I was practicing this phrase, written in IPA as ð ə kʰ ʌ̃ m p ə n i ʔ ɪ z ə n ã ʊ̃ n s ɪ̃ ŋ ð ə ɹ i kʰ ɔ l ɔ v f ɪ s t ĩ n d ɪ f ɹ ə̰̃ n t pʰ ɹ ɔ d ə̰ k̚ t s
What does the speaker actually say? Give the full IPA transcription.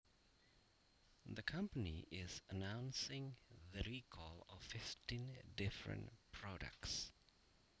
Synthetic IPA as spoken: ð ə kʰ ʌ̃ m p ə n i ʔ ɪ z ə n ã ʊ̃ n s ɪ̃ ŋ ð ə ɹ i kʰ ɔ l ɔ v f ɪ f t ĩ n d ɪ f ɹ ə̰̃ n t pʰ ɹ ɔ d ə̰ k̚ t s